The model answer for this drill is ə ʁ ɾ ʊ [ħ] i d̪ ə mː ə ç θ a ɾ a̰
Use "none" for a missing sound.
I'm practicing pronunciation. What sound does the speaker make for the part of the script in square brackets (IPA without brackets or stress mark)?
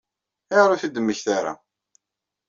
θ